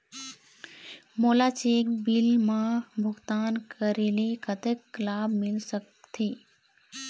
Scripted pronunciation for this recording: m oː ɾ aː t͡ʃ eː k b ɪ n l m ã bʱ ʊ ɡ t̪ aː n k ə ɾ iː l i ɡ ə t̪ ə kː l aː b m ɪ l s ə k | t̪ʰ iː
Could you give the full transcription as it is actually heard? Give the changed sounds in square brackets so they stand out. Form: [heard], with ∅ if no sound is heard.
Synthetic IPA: m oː [l] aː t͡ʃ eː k b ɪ [∅] l m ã bʱ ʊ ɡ t̪ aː n k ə ɾ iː l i [k] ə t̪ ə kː l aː b m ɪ l s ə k | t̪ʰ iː